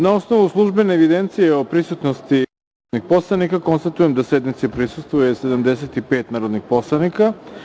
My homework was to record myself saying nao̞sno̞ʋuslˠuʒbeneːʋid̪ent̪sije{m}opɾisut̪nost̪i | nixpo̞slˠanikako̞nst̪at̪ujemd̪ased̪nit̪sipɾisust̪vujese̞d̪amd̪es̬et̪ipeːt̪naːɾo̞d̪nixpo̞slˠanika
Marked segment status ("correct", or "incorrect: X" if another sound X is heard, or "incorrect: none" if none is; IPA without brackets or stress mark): incorrect: none